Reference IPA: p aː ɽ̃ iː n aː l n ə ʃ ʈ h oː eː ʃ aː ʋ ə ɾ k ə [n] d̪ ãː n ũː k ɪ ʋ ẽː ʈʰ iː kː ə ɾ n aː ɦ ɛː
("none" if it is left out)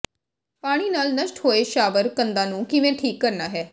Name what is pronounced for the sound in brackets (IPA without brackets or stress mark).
n